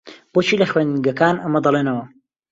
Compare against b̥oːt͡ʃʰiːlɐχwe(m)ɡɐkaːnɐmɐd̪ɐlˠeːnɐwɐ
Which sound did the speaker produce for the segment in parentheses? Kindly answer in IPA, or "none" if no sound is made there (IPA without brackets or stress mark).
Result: n